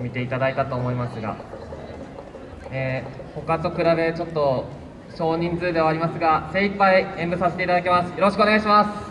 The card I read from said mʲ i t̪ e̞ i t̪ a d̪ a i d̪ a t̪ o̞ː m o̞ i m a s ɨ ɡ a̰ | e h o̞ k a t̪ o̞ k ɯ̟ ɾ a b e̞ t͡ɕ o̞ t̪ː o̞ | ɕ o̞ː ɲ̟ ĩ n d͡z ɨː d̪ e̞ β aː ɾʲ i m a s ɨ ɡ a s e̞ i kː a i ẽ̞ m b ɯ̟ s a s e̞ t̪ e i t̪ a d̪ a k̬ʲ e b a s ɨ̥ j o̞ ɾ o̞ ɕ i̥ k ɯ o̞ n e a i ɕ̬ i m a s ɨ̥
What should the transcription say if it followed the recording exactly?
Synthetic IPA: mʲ i t̪ e̞ i t̪ a d̪ a i t̪ a t̪ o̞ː m o̞ i m a s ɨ ɡ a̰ | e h o̞ k a t̪ o̞ k ɯ̟ ɾ a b e̞ t͡ɕ o̞ t̪ː o̞ | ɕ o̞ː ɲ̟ ĩ n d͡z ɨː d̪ e̞ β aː ɾʲ i m a s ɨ ɡ a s e̞ i pː a i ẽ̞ m b ɯ̟ s a s e̞ t̪ e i t̪ a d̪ a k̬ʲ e m a s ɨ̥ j o̞ ɾ o̞ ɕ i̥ k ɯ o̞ n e a i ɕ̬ i m a s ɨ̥